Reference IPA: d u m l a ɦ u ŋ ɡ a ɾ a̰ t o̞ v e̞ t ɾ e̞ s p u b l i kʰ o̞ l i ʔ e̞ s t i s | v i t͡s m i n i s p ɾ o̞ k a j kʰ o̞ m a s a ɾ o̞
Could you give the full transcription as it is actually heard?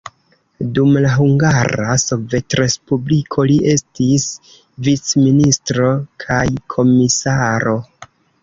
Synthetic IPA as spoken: d u m l a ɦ u ŋ ɡ a ɾ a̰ s o̞ v e̞ t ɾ e̞ s p u b l i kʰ o̞ l i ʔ e̞ s t i s | v i t͡s m i n i s t ɾ o̞ kʰ a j kʰ o̞ m i s a ɾ o̞